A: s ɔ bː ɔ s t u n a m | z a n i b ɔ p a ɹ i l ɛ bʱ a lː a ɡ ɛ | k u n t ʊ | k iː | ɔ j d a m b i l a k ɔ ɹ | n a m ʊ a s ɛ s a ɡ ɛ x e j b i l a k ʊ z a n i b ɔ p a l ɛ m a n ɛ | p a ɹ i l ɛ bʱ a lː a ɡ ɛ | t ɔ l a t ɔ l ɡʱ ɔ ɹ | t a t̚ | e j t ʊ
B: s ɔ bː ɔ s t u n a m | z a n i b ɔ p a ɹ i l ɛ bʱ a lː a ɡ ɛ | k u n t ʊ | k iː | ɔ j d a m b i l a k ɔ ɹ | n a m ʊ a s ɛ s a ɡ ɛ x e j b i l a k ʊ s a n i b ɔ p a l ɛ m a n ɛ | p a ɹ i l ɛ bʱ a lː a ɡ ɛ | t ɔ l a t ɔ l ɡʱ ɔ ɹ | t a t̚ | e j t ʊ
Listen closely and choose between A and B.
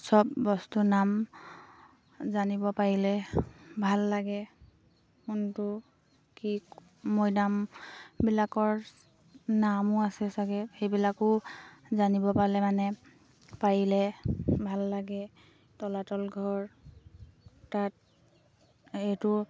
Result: A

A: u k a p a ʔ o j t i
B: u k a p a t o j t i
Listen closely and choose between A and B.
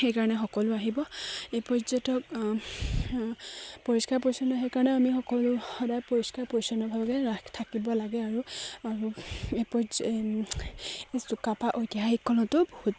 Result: A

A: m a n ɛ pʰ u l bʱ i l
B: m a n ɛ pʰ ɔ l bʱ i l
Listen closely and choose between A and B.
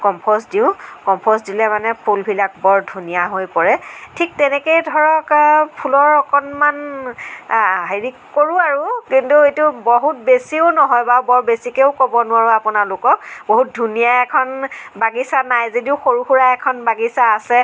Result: A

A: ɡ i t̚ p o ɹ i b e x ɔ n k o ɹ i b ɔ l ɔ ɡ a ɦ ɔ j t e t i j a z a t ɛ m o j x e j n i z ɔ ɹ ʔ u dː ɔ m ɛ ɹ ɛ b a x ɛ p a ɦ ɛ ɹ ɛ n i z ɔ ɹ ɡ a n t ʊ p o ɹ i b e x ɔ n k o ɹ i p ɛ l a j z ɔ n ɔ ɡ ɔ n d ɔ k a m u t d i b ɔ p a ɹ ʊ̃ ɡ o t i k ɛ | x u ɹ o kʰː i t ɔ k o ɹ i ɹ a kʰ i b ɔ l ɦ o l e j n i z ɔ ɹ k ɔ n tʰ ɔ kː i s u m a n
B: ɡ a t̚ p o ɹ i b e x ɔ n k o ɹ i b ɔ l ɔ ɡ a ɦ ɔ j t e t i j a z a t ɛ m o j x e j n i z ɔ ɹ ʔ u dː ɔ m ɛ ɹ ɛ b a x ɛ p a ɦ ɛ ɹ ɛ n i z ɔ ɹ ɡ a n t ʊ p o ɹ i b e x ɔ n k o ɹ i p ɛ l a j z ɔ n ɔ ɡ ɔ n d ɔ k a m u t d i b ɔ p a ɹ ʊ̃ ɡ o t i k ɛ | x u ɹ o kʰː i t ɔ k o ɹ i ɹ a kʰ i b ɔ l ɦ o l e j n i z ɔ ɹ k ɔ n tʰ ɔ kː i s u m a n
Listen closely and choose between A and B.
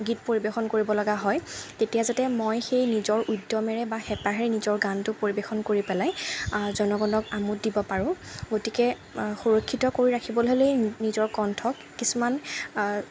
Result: A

